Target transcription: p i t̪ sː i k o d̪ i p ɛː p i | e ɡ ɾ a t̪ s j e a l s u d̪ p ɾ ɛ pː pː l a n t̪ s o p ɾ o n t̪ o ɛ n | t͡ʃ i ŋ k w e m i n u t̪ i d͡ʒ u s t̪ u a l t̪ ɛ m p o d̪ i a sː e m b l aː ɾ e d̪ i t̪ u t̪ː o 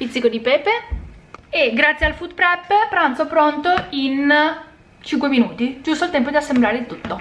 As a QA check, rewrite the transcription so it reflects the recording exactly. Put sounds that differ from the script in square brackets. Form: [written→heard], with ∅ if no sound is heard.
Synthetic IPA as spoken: p i t̪ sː i k o d̪ i p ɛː p [i→e] | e ɡ ɾ a t̪ s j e a l [s→f] u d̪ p ɾ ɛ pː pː [l→ɾ] a n t̪ s o p ɾ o n t̪ o [ɛ→i] n | t͡ʃ i ŋ k w e m i n [u→uː] t̪ i d͡ʒ u s t̪ [u→o] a l t̪ ɛ m p o d̪ i a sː e m b l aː ɾ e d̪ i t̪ u t̪ː o